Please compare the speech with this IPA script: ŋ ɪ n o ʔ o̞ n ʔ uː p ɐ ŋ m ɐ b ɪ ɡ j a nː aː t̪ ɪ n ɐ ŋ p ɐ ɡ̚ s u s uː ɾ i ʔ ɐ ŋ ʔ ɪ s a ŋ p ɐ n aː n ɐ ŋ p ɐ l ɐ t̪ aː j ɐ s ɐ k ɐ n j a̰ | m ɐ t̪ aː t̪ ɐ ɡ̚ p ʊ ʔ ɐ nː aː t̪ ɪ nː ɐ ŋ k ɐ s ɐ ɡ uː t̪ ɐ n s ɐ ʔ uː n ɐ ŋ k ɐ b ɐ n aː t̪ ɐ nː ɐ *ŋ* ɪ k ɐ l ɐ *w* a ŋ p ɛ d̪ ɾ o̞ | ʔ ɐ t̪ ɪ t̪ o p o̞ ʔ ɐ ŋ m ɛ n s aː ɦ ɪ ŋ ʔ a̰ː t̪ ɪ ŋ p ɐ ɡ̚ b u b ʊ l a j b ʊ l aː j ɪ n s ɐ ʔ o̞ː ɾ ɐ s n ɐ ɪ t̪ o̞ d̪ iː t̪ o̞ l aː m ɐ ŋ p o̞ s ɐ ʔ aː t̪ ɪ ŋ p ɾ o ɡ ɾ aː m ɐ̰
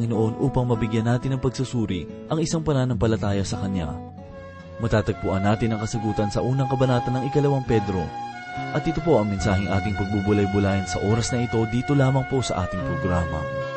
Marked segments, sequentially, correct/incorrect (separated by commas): correct, correct